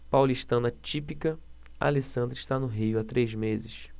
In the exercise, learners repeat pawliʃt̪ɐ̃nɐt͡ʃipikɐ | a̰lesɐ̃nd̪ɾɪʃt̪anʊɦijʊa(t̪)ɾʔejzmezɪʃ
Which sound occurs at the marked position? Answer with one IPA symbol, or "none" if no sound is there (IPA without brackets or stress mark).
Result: t̪